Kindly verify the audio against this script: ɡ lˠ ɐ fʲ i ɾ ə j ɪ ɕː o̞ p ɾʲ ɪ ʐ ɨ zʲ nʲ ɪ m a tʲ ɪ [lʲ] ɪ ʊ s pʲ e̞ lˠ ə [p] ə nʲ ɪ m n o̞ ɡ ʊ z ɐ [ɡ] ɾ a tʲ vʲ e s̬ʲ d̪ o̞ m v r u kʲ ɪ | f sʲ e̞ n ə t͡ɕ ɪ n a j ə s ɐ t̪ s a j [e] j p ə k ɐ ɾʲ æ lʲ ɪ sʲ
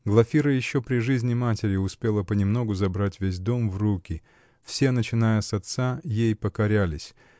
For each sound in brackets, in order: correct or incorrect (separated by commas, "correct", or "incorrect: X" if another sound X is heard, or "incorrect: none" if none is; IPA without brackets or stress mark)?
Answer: incorrect: ɾʲ, correct, incorrect: b, correct